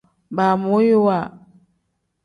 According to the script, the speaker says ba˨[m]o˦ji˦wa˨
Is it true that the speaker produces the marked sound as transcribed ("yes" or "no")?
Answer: yes